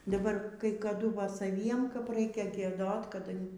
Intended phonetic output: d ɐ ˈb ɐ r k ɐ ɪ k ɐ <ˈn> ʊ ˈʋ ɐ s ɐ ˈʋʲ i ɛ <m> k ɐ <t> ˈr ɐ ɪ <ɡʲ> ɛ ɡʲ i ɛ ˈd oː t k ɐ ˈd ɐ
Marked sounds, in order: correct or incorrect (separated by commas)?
incorrect, correct, incorrect, incorrect